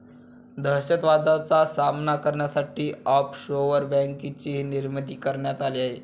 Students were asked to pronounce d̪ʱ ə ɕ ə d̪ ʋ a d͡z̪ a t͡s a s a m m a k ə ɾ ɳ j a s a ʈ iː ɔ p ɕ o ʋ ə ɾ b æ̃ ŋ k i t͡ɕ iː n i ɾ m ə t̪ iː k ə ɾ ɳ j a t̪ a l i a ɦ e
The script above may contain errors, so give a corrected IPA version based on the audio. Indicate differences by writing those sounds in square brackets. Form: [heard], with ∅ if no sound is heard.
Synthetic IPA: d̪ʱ ə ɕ ə [t̪] ʋ a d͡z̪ a t͡s a s a m [n] a k ə ɾ ɳ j a s a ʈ iː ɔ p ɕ o ʋ ə ɾ b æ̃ ŋ k i t͡ɕ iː n i ɾ m ə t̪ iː k ə ɾ ɳ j a t̪ a l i a ɦ e